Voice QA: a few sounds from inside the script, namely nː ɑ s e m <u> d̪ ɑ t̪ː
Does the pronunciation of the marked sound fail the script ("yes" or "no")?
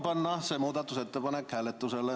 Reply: yes